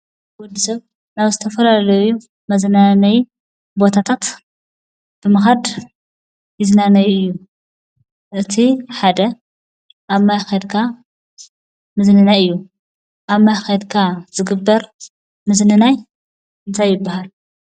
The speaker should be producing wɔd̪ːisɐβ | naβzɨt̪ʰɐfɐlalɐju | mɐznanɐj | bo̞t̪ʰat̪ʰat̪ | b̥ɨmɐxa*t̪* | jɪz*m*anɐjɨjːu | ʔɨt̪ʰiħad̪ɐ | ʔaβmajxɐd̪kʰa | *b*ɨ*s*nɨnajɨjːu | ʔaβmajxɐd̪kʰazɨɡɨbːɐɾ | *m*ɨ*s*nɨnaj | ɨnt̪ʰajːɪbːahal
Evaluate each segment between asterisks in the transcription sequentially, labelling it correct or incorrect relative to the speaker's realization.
incorrect: d̪, incorrect: n, incorrect: m, incorrect: z, correct, incorrect: z

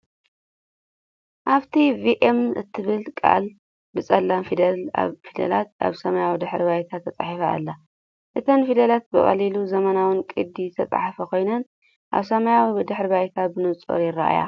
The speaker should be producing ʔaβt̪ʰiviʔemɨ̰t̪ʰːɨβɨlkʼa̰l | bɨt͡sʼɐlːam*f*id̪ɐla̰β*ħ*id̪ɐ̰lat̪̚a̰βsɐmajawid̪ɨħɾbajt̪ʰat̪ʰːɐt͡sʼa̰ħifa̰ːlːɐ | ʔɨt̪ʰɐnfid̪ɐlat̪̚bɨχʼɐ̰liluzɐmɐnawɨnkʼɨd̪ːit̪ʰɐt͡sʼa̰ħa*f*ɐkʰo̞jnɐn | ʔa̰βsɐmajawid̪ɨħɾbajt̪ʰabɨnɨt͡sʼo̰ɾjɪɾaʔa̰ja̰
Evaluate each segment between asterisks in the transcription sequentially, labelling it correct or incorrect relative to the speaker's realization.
correct, incorrect: f, correct

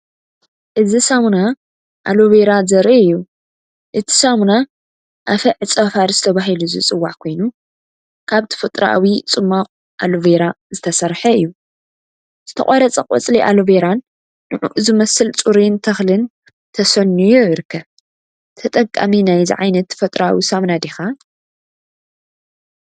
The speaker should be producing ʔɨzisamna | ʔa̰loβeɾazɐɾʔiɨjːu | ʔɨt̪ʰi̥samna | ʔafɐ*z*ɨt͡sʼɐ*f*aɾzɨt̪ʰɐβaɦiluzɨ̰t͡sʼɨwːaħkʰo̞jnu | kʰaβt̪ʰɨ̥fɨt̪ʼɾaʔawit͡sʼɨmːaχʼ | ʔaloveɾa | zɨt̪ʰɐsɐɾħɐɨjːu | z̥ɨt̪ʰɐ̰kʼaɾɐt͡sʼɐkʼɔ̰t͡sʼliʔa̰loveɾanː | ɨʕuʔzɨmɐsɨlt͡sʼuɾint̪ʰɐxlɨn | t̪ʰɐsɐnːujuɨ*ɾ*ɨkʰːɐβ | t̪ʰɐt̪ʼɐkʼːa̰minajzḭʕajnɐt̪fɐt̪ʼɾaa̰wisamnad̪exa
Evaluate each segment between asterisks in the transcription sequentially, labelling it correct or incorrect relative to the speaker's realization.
incorrect: ʕ, correct, correct

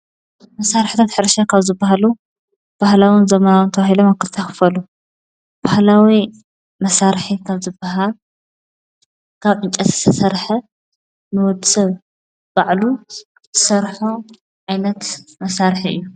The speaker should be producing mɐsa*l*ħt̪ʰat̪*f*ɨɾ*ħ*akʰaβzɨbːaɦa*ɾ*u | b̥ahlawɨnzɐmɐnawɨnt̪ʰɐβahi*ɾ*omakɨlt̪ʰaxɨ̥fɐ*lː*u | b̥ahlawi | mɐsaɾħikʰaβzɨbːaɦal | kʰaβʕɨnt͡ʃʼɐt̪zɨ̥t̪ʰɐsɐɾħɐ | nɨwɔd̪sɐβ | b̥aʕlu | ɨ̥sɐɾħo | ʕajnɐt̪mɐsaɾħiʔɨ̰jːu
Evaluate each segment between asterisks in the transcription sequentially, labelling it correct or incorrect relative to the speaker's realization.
incorrect: ɾ, incorrect: ħ, incorrect: ʃ, incorrect: l, incorrect: l, incorrect: l

